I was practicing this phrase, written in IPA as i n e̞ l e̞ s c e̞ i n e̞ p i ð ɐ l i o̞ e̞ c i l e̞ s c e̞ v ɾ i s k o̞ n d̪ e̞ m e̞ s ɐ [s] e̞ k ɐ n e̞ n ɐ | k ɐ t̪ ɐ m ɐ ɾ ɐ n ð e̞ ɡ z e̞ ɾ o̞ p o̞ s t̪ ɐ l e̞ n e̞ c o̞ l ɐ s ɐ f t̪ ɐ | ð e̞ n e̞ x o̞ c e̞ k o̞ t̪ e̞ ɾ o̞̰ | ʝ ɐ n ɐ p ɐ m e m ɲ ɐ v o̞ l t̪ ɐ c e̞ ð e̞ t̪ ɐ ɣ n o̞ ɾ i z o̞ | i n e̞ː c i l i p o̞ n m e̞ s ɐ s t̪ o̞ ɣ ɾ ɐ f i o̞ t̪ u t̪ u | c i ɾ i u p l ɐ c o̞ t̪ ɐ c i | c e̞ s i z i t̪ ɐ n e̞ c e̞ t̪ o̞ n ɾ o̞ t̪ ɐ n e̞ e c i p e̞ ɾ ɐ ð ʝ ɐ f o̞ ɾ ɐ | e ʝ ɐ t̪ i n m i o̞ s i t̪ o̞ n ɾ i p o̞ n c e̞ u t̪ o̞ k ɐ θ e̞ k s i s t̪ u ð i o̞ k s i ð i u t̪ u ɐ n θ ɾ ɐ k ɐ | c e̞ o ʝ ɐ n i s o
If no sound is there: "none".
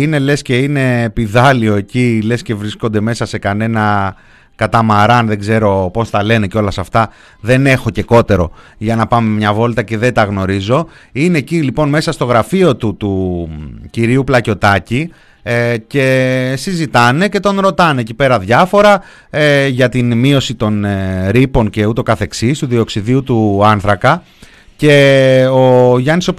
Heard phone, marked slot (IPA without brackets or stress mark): s